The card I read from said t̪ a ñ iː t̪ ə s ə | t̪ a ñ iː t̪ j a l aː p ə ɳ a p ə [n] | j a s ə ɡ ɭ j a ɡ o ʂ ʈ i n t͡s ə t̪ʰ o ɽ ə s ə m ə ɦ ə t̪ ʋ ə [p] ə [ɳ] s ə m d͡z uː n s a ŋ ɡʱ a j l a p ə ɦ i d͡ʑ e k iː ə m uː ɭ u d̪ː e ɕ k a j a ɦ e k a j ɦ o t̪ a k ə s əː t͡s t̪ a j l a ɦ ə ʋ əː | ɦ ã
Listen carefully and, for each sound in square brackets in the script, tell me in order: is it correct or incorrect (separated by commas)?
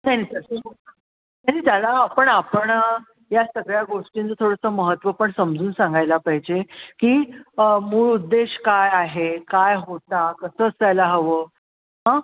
incorrect, correct, correct